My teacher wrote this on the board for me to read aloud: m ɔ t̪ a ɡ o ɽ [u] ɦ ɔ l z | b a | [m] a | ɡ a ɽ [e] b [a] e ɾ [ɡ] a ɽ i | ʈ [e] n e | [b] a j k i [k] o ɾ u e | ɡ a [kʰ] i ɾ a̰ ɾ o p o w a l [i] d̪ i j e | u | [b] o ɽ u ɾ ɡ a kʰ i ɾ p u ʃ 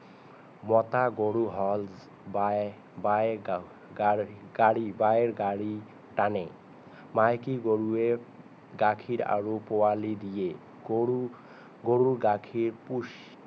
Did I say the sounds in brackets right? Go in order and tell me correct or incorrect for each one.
correct, incorrect: b, incorrect: i, correct, correct, incorrect: a, incorrect: m, incorrect: ɡ, correct, correct, incorrect: ɡ

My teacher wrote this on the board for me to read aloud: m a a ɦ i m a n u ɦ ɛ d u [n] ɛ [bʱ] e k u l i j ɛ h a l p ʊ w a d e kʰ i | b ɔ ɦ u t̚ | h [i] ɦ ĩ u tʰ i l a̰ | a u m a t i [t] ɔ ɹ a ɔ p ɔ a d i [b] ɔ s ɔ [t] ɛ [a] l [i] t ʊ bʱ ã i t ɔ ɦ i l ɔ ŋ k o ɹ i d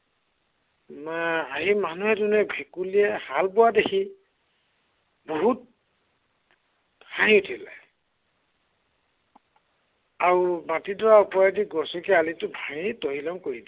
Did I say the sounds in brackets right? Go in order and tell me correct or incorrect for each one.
correct, correct, incorrect: a, incorrect: d, incorrect: ɡ, incorrect: k, correct, correct

